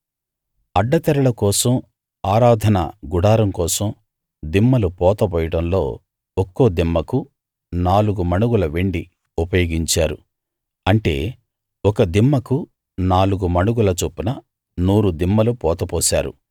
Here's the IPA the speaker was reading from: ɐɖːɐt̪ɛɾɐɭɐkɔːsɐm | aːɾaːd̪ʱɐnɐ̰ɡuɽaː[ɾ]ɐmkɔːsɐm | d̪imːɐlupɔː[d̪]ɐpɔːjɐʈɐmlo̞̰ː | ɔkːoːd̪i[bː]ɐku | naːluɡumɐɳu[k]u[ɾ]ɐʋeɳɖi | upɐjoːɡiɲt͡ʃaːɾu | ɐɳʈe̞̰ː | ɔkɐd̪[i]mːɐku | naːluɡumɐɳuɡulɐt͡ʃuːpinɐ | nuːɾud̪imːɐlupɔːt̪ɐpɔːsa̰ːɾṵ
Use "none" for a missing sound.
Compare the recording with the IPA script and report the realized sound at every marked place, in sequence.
ɾ, t̪, mː, ɡ, l, i

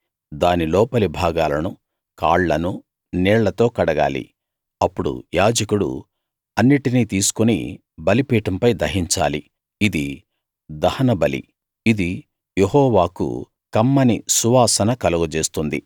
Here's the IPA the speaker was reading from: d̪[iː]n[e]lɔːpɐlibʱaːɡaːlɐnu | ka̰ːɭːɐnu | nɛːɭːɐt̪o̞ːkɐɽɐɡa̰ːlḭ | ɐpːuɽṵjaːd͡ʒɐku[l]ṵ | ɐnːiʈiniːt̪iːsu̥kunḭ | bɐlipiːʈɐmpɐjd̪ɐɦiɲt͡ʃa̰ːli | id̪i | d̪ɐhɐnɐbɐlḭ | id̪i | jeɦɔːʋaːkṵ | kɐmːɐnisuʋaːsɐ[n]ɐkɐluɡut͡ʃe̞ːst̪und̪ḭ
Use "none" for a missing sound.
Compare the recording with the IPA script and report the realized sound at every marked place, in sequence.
aː, i, ɽ, n

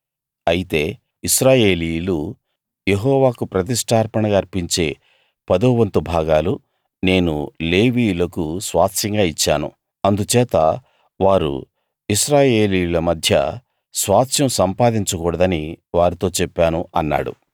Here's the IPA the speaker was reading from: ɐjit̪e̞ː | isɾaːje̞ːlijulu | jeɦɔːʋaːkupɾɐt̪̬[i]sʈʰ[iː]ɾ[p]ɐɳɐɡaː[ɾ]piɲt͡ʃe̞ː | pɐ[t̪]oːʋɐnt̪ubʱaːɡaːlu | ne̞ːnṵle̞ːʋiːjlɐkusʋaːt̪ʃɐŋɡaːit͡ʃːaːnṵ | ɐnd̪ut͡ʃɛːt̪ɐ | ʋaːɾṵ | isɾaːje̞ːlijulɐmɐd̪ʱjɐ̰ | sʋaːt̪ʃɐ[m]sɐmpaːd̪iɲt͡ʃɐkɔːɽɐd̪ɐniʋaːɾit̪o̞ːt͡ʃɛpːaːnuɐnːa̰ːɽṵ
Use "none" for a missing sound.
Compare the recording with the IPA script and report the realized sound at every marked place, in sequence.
i, aː, p, ɾ, d̪, m

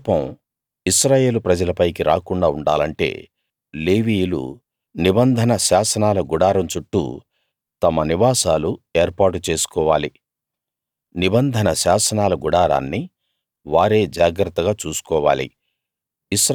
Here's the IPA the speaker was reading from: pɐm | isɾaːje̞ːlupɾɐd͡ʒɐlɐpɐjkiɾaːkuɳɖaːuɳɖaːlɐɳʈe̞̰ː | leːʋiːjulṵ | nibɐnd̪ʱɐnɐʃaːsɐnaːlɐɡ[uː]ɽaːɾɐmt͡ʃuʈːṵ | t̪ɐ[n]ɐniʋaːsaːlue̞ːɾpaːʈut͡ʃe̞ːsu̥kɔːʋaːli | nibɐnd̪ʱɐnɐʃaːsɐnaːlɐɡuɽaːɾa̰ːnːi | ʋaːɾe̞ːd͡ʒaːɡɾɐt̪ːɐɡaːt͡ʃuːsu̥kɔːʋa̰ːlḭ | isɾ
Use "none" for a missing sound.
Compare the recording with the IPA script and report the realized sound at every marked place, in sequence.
u, m

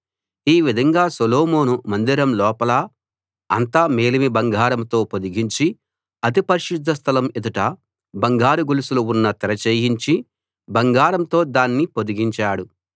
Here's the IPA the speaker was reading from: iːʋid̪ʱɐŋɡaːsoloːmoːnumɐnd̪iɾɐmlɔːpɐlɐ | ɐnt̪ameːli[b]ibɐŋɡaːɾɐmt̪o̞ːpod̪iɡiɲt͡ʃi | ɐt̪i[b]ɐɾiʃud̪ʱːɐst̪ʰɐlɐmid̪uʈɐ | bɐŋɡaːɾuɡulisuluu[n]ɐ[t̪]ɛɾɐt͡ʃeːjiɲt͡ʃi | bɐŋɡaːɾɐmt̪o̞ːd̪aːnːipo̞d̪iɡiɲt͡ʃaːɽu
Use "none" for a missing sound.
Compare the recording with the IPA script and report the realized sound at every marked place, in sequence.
m, p, nː, t̪

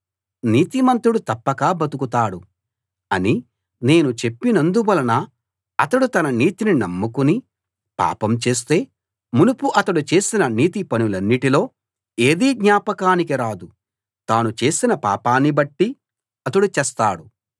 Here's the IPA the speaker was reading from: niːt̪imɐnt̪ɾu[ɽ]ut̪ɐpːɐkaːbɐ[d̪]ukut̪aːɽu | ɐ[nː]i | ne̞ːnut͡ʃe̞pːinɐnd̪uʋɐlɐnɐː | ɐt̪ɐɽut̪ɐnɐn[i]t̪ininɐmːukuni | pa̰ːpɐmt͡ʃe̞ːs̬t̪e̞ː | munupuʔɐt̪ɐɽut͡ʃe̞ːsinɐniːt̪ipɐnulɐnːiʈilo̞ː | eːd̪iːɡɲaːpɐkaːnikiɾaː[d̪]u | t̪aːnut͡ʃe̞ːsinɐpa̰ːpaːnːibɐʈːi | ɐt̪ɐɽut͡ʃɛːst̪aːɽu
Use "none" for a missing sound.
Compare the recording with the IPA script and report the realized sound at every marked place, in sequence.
ɽ, t̪, n, iː, d̪

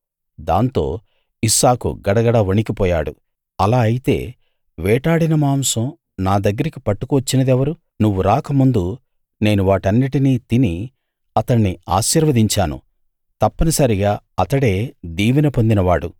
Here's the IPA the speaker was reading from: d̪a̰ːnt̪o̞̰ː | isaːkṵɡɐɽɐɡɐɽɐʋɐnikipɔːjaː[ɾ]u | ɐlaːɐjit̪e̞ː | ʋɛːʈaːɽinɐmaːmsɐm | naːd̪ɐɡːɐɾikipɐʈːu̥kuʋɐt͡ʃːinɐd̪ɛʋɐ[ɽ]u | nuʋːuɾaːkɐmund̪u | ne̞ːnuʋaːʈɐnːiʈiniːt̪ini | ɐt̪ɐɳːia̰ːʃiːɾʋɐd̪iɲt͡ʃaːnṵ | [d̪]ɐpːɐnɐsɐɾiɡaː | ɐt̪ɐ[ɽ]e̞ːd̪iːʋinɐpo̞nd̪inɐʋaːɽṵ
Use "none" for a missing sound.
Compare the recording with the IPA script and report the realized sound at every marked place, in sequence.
ɽ, ɾ, t̪, ɽ

